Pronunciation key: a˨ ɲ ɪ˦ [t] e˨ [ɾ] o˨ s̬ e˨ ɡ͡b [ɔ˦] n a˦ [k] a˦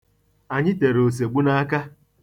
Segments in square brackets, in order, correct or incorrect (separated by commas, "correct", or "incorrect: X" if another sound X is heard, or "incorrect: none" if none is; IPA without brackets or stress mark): correct, correct, incorrect: u˦, correct